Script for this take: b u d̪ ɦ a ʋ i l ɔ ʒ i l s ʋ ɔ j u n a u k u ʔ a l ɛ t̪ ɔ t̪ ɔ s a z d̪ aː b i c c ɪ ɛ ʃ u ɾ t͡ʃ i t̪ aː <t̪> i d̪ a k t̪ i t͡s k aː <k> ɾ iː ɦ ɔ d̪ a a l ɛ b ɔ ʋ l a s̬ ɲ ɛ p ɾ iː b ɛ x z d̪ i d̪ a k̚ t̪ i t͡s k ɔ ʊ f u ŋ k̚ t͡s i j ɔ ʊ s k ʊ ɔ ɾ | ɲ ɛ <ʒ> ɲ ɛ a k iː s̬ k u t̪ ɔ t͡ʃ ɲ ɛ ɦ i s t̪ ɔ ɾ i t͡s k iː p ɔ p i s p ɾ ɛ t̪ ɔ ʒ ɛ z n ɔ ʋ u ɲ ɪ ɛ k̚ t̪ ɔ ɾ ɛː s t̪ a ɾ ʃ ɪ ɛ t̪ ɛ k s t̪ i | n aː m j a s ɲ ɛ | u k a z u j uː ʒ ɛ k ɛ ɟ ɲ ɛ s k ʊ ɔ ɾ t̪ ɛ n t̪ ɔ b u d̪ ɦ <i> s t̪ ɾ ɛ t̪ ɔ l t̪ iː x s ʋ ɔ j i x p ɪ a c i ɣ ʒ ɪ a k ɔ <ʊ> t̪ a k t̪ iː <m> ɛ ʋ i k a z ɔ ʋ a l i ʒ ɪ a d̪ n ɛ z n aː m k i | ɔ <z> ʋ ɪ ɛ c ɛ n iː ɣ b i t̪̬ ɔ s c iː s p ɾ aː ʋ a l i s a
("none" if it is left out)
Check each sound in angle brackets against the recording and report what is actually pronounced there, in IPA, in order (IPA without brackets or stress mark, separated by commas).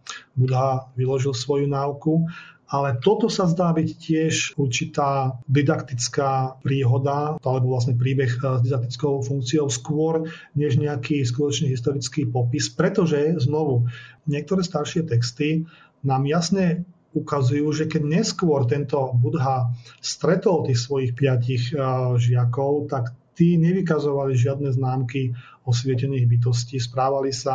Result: d̪, p, ʒ, a, ʊ, ɲ, s